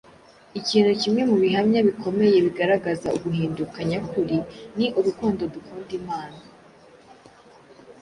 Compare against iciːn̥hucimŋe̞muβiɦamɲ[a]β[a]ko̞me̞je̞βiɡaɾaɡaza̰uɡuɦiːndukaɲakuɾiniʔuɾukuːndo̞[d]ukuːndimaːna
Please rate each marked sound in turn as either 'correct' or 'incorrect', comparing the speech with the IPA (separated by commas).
correct, incorrect, correct